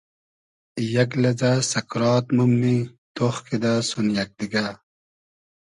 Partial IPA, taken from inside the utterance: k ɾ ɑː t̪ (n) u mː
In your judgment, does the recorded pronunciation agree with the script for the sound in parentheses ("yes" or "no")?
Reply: no